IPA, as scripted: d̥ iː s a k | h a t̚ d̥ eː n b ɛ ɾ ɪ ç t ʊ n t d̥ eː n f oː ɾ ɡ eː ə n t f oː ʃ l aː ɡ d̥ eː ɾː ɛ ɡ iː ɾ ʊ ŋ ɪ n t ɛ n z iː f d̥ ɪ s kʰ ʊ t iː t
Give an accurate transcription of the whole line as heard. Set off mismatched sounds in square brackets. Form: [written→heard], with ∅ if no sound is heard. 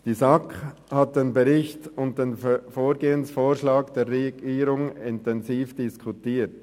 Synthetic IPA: d̥ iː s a k | h a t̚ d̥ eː n b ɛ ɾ ɪ ç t ʊ n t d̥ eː n f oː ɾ ɡ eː ə n [t→s] f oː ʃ l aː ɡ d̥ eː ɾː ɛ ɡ iː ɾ ʊ ŋ ɪ n t ɛ n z iː f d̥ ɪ s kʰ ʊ t iː t